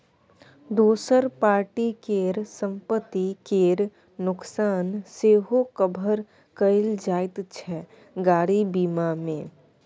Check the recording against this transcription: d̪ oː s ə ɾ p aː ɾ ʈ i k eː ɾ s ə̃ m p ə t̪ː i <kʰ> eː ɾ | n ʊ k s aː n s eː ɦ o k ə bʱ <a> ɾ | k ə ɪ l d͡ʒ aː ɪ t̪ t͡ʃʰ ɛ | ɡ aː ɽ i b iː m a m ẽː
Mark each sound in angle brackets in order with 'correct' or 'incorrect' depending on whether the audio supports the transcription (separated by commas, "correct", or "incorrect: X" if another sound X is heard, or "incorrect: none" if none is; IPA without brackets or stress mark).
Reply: incorrect: k, incorrect: ə